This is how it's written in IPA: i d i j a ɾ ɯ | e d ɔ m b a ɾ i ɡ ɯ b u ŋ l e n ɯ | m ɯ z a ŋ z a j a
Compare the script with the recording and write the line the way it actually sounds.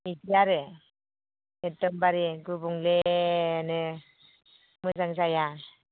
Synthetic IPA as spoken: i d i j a ɾ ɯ | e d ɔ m b a ɾ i ɡ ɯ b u ŋ l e n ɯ | m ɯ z a ŋ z a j a